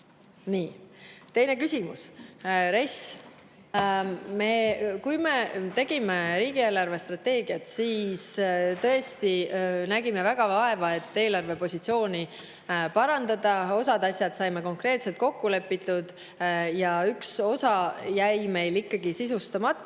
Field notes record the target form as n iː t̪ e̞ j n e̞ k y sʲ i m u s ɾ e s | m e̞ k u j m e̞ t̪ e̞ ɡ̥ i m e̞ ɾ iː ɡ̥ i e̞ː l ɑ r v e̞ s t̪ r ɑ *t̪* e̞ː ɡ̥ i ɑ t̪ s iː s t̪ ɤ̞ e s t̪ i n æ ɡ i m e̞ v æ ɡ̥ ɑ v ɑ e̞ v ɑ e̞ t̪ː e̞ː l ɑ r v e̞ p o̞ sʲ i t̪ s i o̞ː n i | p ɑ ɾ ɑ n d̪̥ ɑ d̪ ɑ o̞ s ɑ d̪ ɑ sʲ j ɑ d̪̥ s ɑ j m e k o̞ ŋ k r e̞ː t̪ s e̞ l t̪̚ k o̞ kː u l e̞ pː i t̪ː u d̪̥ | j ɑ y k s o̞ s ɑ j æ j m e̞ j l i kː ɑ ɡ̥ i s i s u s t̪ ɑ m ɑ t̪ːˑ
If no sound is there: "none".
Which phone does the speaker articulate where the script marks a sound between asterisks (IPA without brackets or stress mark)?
t̪